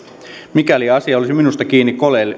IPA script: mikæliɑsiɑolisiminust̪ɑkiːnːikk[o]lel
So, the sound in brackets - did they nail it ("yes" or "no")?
yes